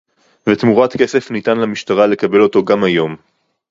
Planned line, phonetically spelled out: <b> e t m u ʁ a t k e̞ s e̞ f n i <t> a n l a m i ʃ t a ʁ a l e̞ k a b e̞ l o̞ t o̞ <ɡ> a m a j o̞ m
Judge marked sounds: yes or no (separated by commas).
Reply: no, yes, yes